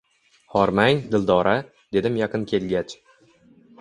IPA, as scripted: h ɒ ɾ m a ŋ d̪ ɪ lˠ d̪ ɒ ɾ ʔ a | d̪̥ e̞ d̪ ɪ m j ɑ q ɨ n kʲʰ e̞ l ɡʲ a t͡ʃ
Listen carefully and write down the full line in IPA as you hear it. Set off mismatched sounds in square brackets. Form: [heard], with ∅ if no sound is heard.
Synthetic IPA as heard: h ɒ ɾ m a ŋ d̪ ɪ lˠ d̪ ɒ ɾ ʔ a | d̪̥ e̞ d̪ ɪ m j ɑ q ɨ n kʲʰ e̞ l ɡʲ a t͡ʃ